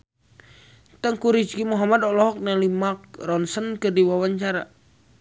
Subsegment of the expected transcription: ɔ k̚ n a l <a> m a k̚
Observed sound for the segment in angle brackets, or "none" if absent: i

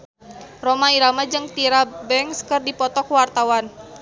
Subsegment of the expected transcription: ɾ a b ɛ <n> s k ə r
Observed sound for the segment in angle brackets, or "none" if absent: ŋ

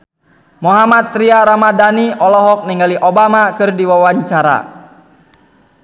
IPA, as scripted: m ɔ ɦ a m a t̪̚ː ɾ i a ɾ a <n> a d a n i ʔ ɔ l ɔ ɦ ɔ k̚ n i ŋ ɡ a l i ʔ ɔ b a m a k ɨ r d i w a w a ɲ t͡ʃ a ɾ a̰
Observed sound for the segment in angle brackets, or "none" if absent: m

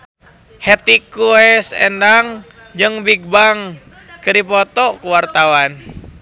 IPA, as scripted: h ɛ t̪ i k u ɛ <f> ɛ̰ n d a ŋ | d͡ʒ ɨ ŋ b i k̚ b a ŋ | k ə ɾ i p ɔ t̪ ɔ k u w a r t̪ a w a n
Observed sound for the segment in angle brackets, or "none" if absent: s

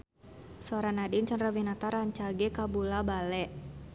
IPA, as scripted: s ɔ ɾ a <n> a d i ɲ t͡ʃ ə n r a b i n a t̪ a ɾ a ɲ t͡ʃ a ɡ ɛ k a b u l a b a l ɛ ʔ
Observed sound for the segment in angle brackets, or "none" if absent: n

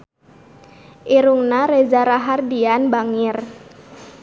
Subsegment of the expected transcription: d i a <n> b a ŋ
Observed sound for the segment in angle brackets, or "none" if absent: n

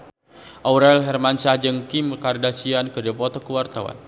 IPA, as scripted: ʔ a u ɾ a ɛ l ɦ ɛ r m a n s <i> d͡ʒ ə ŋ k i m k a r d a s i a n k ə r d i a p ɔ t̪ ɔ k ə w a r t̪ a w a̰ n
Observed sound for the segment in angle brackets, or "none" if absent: a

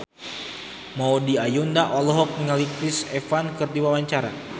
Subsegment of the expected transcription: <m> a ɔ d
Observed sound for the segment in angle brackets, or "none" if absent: m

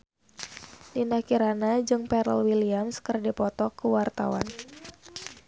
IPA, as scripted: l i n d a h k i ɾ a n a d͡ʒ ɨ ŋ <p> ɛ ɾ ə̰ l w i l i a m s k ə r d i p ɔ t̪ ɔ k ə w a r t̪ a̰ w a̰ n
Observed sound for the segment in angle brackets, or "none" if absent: p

